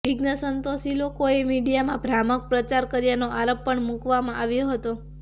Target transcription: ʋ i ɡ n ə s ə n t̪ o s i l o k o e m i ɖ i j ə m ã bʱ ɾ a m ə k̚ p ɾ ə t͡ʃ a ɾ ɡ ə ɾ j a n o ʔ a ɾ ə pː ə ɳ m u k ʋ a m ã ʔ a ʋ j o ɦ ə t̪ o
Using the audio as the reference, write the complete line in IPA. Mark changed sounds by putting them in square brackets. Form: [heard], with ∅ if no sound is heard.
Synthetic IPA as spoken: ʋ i ɡ n ə s ə n t̪ o s i l o k o e m i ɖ i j [a] m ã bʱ ɾ a m ə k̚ p ɾ ə t͡ʃ a ɾ [k] ə ɾ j a n o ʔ a ɾ ə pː ə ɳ m u k ʋ a m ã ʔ a ʋ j o ɦ ə t̪ o